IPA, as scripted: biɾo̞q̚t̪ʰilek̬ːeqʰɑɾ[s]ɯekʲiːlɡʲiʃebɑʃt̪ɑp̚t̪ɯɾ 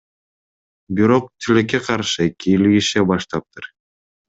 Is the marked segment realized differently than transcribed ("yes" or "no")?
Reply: yes